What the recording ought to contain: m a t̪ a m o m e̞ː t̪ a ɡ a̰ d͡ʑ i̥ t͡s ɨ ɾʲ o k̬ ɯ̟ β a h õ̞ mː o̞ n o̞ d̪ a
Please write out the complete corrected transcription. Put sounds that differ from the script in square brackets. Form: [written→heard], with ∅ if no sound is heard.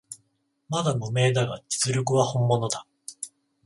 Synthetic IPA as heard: m a [t̪→d̪] a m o m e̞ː [t̪→d̪] a ɡ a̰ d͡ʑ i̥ t͡s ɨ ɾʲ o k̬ ɯ̟ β a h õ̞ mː o̞ n o̞ d̪ a